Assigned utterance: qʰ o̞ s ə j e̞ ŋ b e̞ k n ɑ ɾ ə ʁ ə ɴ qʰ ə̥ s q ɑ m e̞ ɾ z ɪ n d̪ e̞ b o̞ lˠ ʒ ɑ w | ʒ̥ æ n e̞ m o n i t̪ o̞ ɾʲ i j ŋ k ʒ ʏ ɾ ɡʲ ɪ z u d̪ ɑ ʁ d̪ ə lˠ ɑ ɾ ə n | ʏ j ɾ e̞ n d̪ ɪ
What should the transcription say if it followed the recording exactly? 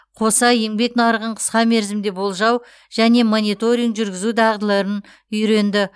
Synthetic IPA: qʰ o̞ s ɑ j e̞ ŋ b e̞ k n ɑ ɾ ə ʁ ə ɴ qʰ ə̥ s q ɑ m e̞ ɾ z ɪ m d̪ e̞ b o̞ lˠ ʒ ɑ w | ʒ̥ æ n e̞ m o n i t̪ o̞ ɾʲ i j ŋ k ʒ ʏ ɾ ɡʲ ɪ z u d̪ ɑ ʁ d̪ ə lˠ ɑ ɾ ə n | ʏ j ɾ e̞ n d̪ ɪ